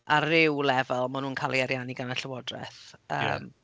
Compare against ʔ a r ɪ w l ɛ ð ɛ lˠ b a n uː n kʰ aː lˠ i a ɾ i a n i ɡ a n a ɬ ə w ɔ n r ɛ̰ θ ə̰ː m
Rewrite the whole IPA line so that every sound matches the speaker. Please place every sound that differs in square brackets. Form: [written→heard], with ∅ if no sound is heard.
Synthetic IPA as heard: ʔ a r ɪ w l ɛ [ð→v] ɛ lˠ [b→m] a n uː n kʰ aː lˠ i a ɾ [i→j] a n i ɡ a n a ɬ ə w ɔ [n→d] r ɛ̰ θ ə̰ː m